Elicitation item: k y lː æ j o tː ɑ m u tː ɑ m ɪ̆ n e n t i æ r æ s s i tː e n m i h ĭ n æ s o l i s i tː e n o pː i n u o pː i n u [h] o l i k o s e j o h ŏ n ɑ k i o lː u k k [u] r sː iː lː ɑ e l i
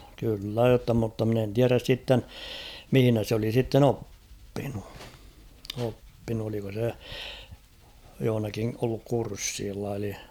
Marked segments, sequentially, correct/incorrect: incorrect: none, correct

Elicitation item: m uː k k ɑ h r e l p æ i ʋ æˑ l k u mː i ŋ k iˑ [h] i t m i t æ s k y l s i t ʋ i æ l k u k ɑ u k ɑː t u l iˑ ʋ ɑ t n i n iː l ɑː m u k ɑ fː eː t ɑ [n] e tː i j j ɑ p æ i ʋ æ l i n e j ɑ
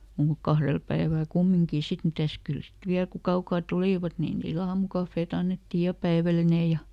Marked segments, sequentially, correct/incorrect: incorrect: s, incorrect: nː

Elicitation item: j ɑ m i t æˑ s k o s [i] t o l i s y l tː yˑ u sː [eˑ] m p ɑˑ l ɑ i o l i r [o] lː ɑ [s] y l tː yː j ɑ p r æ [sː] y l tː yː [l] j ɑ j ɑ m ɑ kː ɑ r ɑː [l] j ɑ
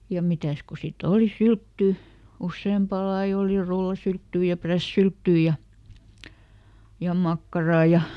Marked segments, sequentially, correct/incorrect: correct, correct, incorrect: u, correct, correct, incorrect: none, incorrect: none

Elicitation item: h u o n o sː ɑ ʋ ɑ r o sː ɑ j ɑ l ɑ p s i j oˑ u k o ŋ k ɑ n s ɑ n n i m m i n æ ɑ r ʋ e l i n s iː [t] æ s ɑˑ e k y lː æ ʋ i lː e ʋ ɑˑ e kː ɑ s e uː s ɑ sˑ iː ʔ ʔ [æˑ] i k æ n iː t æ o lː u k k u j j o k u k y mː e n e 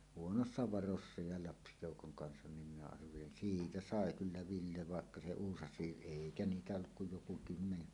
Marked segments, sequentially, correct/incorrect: correct, incorrect: eˑ

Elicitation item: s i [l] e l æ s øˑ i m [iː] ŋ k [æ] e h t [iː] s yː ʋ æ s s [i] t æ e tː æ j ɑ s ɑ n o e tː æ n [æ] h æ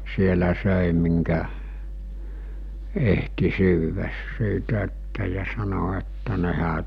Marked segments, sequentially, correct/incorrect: incorrect: none, incorrect: i, correct, incorrect: i, incorrect: iː, incorrect: e

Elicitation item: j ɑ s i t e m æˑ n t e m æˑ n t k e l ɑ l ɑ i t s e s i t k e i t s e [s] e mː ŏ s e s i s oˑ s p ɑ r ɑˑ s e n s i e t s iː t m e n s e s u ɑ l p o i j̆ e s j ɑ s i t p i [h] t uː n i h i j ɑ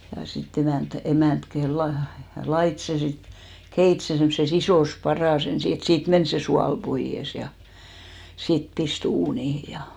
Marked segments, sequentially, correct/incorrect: correct, incorrect: s

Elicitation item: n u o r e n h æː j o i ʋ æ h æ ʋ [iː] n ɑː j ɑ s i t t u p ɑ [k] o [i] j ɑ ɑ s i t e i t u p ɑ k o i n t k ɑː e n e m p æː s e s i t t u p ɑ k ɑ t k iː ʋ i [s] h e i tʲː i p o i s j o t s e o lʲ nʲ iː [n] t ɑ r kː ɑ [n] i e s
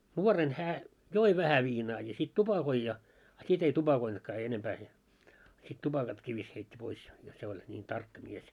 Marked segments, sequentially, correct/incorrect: correct, correct, correct, correct, correct, incorrect: m

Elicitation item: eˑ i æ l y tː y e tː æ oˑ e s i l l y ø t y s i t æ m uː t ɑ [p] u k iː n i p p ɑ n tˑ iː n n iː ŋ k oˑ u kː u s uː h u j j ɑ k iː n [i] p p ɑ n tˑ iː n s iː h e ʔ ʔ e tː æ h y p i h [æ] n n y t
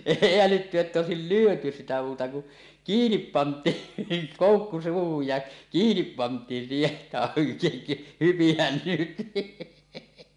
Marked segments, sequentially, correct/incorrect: incorrect: k, correct, correct

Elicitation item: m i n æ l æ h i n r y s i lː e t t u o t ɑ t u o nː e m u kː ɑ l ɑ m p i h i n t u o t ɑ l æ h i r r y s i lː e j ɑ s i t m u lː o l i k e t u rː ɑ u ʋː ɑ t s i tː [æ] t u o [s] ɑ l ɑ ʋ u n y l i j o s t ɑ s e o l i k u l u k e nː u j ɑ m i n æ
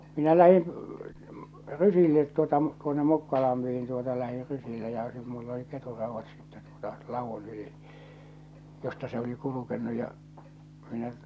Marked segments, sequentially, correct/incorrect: incorrect: e, incorrect: t

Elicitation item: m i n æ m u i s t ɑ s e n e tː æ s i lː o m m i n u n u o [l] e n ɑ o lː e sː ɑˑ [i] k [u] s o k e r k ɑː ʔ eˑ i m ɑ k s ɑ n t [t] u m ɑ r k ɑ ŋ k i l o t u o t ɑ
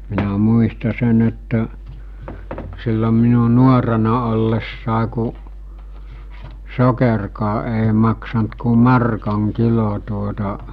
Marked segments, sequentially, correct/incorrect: incorrect: r, incorrect: e, correct, incorrect: k

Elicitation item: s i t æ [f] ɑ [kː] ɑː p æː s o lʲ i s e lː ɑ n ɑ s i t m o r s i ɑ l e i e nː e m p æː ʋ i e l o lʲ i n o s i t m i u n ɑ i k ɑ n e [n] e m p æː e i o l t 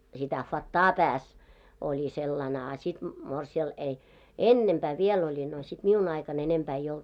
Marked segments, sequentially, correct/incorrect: correct, incorrect: tː, correct

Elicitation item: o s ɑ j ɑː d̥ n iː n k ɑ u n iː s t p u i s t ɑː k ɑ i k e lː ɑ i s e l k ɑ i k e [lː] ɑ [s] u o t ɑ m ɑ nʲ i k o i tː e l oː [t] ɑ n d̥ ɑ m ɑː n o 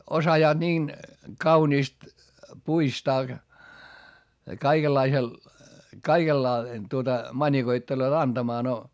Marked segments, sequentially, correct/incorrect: correct, incorrect: t, correct

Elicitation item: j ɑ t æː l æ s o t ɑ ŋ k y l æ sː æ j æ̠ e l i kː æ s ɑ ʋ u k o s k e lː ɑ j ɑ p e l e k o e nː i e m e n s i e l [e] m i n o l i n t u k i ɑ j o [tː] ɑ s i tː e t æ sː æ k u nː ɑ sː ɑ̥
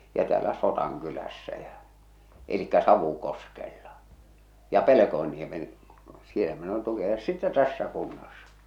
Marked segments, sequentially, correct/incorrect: incorrect: æ, incorrect: sː

